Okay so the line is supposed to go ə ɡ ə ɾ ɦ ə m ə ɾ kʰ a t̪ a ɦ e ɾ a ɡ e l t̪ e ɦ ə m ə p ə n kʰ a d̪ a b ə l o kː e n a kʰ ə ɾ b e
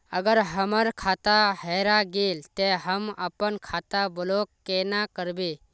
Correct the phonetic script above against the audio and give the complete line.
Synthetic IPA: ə ɡ ə ɾ ɦ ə m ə ɾ kʰ a t̪ a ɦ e ɾ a ɡ e l t̪ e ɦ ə m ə p ə n kʰ a t̪ a b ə l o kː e n a k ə ɾ b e

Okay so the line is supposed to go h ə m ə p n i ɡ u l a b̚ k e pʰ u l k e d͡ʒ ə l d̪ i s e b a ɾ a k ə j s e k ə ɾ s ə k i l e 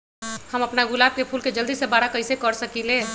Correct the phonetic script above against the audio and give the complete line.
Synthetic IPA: h ə m ə p n a ɡ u l a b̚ k e pʰ u l k e d͡ʒ ə l d̪ i s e b a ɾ a k ə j s e k ə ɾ s ə k i l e

